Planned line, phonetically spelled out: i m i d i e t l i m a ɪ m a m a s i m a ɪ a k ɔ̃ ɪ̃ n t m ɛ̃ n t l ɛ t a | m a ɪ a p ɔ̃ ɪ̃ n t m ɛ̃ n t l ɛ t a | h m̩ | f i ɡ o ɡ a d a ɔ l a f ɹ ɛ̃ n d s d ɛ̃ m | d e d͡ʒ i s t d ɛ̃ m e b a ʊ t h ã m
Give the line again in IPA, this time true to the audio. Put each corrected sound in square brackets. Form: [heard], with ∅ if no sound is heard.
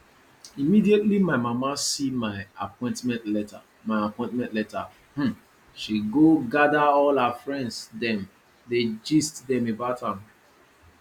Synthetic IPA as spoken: i m i d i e t l i m a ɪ m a m a s i m a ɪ a [p] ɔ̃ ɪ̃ n t m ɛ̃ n t l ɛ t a | m a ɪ a p ɔ̃ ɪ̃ n t m ɛ̃ n t l ɛ t a | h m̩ | [ʃ] i ɡ o ɡ a d a ɔ l a f ɹ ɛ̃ n d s d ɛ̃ m | d e d͡ʒ i s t d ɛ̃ m e b a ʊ t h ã m